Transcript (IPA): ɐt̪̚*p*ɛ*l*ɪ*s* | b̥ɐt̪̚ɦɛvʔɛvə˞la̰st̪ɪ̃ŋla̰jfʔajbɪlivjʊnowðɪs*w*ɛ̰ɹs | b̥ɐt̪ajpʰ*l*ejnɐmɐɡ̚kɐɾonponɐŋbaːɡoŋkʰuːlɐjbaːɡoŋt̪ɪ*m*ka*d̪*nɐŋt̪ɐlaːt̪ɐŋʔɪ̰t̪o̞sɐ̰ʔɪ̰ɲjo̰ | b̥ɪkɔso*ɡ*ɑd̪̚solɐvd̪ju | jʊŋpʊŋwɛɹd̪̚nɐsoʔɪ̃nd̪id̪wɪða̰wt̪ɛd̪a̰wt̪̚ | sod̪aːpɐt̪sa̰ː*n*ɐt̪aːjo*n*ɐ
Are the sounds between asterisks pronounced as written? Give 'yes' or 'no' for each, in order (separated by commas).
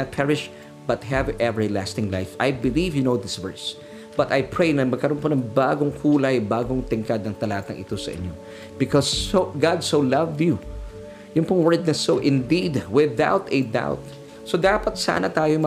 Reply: no, no, no, no, no, no, yes, yes, yes, no